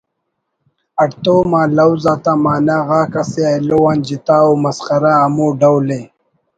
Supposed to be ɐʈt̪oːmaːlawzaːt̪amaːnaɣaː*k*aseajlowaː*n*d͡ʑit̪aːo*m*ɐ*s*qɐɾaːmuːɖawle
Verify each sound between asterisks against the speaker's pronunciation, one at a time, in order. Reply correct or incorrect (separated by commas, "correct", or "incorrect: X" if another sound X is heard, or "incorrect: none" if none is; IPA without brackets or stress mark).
correct, correct, correct, correct